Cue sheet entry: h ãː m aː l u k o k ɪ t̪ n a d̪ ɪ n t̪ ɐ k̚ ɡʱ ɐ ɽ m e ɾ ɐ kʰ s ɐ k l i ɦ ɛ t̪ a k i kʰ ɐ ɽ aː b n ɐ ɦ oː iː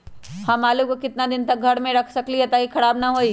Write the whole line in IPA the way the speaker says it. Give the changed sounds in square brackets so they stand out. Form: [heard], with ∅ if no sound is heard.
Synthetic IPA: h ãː m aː l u k o k ɪ t̪ n a d̪ ɪ n t̪ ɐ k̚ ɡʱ ɐ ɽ m [ẽ] ɾ ɐ kʰ s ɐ k l i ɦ ɛ t̪ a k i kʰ ɐ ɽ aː b n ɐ ɦ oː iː